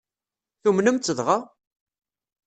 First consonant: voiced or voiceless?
voiceless